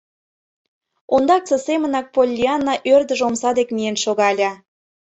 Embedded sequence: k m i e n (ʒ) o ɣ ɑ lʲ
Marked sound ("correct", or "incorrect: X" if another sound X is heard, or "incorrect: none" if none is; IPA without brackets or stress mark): incorrect: ʃ